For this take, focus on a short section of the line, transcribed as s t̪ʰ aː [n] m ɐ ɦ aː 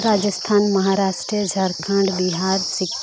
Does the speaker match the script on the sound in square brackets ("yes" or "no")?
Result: yes